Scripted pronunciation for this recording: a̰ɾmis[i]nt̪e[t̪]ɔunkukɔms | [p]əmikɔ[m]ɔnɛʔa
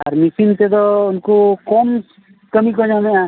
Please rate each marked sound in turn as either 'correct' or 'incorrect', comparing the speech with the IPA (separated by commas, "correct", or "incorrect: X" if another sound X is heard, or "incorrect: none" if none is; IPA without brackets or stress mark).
correct, incorrect: d̪, incorrect: k, incorrect: ɲ